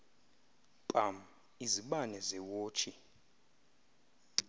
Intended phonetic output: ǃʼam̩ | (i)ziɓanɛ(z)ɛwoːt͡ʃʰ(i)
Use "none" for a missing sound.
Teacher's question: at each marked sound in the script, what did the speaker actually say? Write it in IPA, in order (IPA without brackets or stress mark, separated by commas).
i, z, i